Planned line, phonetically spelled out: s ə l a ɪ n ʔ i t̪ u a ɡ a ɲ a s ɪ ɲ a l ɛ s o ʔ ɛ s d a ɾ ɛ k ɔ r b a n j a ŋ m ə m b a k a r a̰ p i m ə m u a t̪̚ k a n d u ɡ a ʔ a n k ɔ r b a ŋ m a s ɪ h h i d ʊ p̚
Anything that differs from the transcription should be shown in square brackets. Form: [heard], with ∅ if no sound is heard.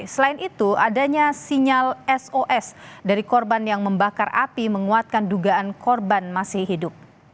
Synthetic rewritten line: s ə l a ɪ n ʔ i t̪ u a [d] a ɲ a s [i] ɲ a l ɛ s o ʔ ɛ s d a ɾ [i] k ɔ r b a n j a ŋ m ə m b a k a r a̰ p i m ə [ŋ] u a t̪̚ k a n d u ɡ a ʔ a n k ɔ r b a [n] m a s ɪ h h i d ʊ p̚

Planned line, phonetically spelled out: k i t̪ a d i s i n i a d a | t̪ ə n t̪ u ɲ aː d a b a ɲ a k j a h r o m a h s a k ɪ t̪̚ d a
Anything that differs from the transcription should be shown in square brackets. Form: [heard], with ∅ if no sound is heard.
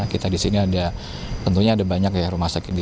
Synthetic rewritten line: k i t̪ a d i s i n i a d a | t̪ ə n t̪ u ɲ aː d a b a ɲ a k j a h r [u] m a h s a k ɪ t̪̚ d [i]

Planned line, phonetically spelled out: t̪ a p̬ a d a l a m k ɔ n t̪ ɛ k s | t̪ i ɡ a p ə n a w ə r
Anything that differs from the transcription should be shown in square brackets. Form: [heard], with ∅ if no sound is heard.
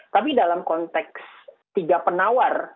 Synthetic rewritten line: t̪ a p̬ [i] d a l a m k ɔ n t̪ ɛ k s | t̪ i ɡ a p ə n a w [a] r

